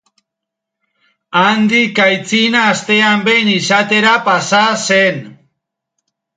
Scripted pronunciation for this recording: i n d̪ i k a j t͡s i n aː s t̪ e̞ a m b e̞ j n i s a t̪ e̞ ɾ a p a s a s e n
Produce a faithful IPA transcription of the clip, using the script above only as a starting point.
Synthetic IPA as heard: a n d̪ i k a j t͡s i n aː s t̪ e̞ a m b e̞ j n i s a t̪ e̞ ɾ a p a s a s e n